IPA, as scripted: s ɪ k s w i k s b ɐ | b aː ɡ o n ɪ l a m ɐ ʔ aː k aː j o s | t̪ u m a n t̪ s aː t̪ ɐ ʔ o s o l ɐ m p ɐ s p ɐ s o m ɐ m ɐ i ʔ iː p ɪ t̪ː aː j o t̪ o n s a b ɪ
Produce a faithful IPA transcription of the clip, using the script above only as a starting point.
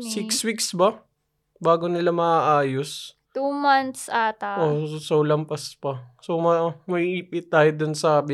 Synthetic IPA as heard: s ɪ k s w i k s b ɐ | b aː ɡ o n ɪ l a m ɐ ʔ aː ʔ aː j o s | t̪ u m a n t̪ s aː t̪ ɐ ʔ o s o l ɐ m p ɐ s p ɐ s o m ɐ m ɐ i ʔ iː p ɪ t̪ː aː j o d̪ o n s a b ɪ